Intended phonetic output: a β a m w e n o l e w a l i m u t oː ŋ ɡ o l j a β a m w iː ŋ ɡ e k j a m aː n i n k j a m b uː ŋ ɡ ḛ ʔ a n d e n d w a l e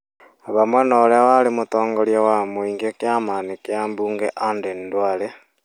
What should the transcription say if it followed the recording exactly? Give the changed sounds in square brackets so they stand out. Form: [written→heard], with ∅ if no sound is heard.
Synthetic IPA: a β a m w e n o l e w a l i m u t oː ŋ ɡ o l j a [β→w] a m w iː ŋ ɡ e k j a m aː n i [n→∅] k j a m b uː ŋ ɡ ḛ ʔ a n d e n d w a l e